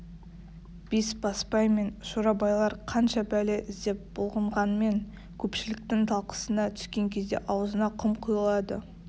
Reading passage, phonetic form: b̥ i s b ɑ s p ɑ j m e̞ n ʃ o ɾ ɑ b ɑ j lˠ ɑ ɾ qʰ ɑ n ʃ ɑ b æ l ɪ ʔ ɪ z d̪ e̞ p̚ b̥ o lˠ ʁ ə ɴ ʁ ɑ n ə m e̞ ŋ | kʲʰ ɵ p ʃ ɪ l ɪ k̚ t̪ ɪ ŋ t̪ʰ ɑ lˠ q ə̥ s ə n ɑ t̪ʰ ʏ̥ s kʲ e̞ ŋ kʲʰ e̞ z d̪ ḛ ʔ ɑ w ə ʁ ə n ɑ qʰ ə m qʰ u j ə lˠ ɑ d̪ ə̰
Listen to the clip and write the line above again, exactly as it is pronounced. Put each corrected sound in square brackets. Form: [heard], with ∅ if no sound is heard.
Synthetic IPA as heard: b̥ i s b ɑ s p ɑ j m e̞ n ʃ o ɾ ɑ b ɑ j lˠ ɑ ɾ qʰ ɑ n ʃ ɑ b æ l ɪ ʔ ɪ z d̪ e̞ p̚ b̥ o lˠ ʁ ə ɴ ʁ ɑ n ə m e̞ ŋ | kʲʰ ɵ p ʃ ɪ l ɪ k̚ t̪ ɪ ŋ t̪ʰ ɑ lˠ q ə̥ s ə n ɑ t̪ʰ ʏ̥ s kʲ e̞ ŋ kʲʰ e̞ z d̪ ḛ ʔ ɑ w ə [z] ə n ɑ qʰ ə m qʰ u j ə lˠ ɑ d̪ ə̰